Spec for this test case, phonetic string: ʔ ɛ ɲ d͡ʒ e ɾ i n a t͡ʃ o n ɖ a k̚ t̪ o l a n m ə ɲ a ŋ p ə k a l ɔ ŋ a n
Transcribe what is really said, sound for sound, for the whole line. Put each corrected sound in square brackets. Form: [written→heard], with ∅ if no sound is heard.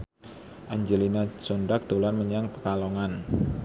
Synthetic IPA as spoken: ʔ [ɛ→a] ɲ d͡ʒ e [ɾ→l] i n a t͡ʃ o n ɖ a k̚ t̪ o l a n m ə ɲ a ŋ p ə k a l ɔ ŋ a n